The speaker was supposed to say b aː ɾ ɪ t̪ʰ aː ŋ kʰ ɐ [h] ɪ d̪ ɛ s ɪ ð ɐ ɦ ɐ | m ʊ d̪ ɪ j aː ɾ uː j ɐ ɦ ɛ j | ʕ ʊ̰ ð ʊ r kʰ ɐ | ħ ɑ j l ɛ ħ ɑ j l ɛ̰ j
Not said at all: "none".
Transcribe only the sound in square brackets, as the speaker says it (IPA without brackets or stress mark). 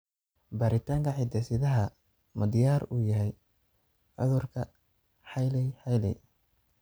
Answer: ħ